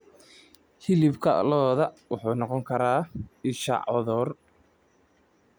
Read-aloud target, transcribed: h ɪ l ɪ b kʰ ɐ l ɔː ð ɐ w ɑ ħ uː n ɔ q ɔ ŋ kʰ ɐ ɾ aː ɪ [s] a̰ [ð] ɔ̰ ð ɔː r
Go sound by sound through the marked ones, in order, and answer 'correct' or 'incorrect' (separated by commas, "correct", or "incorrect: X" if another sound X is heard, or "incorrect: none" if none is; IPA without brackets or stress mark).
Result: incorrect: ʃ, incorrect: ʕ